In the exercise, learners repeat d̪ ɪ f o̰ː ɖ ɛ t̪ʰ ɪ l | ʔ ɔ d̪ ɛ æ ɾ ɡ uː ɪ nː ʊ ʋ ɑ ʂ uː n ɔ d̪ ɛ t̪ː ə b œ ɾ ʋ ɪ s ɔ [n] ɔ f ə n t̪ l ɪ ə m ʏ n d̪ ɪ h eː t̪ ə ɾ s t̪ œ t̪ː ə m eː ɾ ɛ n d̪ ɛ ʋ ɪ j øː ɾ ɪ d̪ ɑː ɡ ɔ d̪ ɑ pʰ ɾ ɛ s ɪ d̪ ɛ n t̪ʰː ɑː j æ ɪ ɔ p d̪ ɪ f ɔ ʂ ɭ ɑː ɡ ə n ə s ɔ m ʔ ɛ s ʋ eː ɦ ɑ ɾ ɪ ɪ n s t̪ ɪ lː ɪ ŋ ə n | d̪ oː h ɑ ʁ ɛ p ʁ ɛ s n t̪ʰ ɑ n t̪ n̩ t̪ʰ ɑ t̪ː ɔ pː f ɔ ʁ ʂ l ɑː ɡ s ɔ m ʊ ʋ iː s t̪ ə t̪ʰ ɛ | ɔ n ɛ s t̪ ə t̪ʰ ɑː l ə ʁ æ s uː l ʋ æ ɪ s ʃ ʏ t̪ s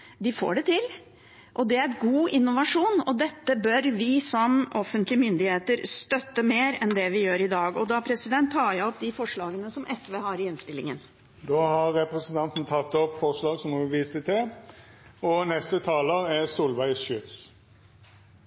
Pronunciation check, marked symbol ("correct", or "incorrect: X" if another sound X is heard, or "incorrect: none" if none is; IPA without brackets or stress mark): incorrect: m